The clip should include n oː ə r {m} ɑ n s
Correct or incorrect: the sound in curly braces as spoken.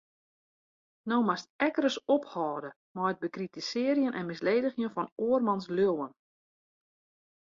correct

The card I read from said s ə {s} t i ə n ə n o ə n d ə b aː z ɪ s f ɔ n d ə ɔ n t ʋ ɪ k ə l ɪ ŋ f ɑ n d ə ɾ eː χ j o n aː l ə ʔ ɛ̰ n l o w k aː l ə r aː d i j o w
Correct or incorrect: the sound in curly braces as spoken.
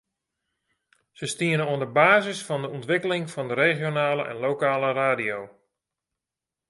correct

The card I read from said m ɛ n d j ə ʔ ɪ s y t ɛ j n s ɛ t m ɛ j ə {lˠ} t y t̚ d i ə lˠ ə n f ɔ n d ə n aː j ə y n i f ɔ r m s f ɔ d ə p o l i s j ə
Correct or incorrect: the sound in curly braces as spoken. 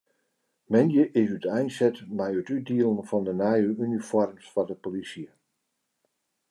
incorrect: none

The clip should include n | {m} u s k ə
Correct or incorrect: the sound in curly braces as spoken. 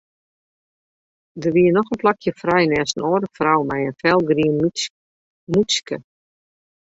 correct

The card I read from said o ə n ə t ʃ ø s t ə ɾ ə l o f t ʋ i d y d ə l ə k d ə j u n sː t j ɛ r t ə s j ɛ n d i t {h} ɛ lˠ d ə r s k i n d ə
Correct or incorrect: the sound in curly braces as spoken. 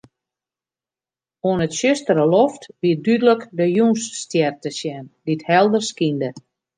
correct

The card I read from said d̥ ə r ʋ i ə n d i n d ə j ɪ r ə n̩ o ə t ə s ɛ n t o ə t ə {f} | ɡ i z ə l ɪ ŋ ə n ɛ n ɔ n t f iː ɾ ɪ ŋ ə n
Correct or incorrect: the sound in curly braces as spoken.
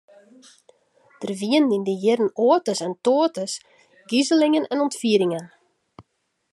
incorrect: s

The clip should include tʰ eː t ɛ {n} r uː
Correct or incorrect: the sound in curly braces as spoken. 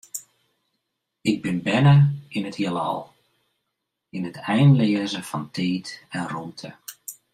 correct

